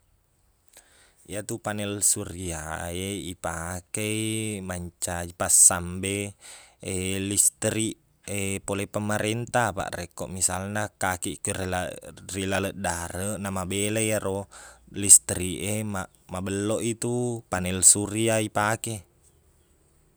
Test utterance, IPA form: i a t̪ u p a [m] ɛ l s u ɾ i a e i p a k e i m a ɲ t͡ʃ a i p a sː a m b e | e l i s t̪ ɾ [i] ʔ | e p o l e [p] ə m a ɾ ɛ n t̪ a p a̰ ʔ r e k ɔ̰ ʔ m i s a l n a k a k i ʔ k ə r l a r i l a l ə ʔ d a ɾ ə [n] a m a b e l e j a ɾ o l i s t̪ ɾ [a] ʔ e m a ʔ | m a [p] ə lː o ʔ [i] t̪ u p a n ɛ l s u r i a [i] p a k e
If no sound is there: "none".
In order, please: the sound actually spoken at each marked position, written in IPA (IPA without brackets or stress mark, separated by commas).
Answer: n, i, p, n, i, b, i, i